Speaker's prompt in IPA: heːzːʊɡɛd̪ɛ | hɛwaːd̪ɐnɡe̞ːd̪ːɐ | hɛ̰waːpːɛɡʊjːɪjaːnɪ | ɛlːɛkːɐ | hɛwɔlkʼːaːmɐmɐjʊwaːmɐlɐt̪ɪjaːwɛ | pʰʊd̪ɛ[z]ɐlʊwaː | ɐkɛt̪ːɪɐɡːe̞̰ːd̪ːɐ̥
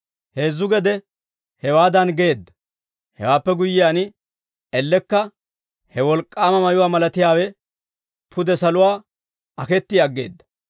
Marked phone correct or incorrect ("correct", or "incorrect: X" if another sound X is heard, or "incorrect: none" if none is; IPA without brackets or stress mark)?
incorrect: s